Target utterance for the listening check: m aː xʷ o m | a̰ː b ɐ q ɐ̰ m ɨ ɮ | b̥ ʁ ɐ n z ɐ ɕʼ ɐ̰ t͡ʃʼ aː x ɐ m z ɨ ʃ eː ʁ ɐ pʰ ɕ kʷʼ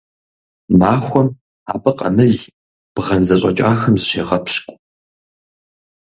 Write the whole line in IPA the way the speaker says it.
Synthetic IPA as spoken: m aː xʷ ɔ m | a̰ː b ɐ q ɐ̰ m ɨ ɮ | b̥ ʁ ɐ n z ɐ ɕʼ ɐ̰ t͡ʃʼ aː x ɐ m z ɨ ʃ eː ʁ ɐ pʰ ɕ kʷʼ